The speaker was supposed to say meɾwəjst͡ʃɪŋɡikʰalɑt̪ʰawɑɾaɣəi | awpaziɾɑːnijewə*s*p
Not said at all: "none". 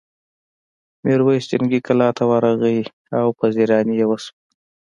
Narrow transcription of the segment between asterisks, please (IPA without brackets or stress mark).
s